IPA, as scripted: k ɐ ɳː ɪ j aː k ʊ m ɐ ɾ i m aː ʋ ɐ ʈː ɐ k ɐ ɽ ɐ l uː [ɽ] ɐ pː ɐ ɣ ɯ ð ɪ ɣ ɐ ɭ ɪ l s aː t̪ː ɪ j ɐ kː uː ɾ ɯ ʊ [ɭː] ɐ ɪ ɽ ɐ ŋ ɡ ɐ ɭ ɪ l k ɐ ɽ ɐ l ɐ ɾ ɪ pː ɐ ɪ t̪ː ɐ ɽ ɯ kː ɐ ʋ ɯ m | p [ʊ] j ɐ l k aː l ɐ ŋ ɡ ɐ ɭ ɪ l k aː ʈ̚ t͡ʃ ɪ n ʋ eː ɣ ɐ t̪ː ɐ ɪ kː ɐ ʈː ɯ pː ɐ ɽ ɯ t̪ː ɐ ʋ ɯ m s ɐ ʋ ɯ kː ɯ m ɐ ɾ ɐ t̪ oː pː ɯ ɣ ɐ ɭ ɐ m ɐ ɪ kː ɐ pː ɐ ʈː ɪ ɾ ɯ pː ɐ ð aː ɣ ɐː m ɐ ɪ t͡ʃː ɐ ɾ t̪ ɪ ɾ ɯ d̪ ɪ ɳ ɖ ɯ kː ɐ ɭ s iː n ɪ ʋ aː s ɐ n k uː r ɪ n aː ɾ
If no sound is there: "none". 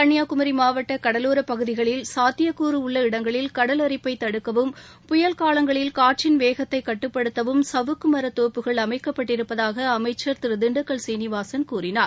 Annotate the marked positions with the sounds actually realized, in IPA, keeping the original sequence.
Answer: ɾ, ɭː, ʊ

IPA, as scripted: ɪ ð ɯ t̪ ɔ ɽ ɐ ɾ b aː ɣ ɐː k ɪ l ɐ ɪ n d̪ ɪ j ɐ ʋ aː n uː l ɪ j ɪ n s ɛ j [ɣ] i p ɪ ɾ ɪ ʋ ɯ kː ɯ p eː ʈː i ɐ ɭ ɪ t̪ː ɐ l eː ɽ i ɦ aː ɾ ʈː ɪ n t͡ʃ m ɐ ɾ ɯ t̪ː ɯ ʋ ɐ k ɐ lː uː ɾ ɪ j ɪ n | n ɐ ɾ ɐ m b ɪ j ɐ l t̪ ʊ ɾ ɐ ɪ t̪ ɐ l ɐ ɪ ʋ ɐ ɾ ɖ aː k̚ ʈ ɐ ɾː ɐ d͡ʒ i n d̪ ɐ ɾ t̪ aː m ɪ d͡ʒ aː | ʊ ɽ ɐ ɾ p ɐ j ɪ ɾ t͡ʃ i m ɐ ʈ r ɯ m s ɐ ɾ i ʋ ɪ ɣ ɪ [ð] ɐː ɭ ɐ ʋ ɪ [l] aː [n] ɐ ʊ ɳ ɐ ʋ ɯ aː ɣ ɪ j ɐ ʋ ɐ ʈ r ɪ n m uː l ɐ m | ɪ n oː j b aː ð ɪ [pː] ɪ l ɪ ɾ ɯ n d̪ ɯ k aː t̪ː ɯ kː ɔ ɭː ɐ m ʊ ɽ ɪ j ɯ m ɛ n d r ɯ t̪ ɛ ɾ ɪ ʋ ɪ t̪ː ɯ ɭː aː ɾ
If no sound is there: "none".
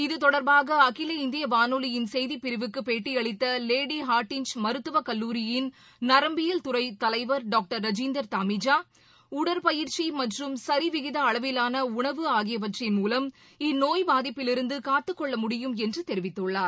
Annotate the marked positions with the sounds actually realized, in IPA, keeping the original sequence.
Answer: ð, ð, l, n, pː

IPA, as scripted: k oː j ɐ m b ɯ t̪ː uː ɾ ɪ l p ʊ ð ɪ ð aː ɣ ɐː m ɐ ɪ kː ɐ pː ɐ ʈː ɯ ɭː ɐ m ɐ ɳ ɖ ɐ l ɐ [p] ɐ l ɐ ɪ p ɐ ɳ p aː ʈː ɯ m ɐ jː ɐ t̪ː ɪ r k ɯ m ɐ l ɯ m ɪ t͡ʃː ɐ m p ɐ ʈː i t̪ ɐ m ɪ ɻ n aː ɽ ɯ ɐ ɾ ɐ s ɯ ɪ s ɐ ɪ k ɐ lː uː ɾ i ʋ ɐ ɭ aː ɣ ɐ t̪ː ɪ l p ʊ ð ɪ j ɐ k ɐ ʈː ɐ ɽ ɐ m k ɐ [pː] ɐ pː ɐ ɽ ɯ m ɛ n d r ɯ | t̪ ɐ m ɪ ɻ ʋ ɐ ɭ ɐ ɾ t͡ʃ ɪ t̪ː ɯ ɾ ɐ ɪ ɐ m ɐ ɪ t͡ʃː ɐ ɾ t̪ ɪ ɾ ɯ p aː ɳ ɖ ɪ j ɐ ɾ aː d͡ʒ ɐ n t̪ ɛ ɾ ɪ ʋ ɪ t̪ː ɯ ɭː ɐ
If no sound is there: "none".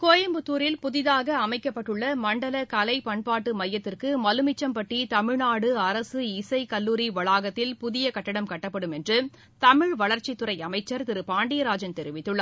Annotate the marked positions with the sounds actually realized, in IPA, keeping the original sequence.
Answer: k, ʈː

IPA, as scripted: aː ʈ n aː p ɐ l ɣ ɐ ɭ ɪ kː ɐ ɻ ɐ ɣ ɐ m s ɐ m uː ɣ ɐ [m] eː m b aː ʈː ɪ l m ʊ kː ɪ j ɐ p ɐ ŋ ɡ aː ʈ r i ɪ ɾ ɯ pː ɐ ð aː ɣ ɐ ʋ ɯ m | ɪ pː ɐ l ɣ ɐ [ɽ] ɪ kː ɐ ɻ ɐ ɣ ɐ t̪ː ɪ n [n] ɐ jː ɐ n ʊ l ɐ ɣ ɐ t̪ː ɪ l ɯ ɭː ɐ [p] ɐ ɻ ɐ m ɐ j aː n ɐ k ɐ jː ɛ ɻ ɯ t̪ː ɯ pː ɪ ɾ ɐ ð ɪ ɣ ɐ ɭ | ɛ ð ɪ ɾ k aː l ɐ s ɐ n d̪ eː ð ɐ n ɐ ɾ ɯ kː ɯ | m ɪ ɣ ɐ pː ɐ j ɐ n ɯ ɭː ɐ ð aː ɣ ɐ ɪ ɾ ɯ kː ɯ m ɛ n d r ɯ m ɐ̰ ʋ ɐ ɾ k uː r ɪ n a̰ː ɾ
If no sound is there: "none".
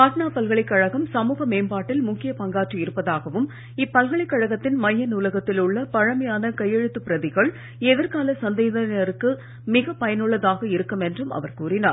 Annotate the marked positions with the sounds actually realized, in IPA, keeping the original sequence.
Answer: m, ɭ, m, p

